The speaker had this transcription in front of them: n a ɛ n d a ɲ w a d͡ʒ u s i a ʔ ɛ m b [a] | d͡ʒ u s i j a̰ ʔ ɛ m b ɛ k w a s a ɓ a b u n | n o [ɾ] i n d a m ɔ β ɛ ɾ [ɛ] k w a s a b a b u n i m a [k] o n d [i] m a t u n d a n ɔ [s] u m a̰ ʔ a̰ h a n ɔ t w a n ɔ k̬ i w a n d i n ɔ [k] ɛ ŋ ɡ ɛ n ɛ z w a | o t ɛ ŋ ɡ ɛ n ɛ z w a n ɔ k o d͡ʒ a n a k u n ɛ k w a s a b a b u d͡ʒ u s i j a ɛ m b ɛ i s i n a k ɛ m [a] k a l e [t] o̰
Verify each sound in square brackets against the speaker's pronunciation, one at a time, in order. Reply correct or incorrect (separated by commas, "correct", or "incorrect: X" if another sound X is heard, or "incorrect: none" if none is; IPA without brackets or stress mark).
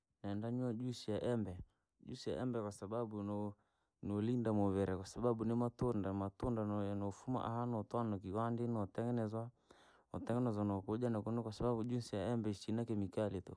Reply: incorrect: ɛ, incorrect: l, correct, incorrect: t, incorrect: a, incorrect: f, incorrect: t, incorrect: i, correct